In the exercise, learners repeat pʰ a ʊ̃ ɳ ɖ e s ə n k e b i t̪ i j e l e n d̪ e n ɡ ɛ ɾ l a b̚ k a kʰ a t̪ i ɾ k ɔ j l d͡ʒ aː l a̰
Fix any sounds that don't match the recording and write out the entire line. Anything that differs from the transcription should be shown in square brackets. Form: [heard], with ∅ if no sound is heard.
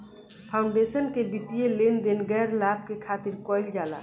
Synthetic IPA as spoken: pʰ a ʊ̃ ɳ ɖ e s ə n k e b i t̪ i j e l e n d̪ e n ɡ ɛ ɾ l a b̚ k [e] kʰ a t̪ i ɾ k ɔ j l d͡ʒ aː l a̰